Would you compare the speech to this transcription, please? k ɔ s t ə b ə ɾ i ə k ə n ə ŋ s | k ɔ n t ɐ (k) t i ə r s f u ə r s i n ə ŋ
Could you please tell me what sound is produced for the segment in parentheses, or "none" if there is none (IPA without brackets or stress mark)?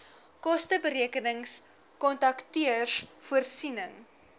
k